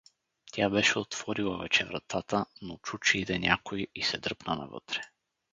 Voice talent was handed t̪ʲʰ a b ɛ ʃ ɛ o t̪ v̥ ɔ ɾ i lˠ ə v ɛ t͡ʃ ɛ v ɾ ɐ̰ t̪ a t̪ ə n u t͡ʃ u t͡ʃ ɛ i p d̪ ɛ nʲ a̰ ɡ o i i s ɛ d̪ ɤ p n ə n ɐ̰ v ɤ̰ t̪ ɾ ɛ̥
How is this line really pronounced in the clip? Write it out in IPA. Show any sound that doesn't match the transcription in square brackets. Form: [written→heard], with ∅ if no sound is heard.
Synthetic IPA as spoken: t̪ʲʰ a b ɛ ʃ ɛ o t̪ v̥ ɔ ɾ i lˠ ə v ɛ t͡ʃ ɛ v ɾ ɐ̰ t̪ a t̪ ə n [u→o] t͡ʃ u t͡ʃ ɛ i [p→∅] d̪ ɛ nʲ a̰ [ɡ→k] o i i s ɛ d̪ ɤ p n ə n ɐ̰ v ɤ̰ t̪ ɾ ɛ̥